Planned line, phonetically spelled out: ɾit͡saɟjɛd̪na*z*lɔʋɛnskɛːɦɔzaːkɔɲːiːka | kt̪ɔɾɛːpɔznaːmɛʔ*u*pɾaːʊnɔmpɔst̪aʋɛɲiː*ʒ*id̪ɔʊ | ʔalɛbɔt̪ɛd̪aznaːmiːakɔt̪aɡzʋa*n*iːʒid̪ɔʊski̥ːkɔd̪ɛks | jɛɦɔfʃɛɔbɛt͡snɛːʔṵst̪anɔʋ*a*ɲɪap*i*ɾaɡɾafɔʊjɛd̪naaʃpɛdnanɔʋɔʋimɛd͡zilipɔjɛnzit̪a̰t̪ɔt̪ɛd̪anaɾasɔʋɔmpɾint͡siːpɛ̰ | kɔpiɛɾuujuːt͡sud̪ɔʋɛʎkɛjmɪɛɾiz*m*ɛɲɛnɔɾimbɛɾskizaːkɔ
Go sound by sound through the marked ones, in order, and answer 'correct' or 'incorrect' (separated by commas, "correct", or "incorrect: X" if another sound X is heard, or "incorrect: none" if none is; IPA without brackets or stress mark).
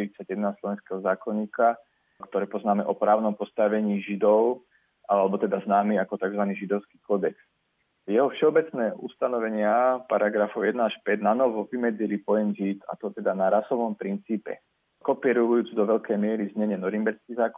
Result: incorrect: s, incorrect: ɔ, correct, correct, incorrect: ɛ, incorrect: a, incorrect: ɲ